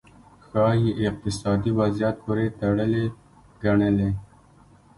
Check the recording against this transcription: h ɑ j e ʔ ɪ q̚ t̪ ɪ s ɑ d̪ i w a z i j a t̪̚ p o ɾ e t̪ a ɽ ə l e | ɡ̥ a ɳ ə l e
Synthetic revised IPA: x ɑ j e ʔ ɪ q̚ t̪ ɪ s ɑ d̪ i w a z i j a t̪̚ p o ɾ e t̪ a ɽ ə l e | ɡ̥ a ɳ ə l e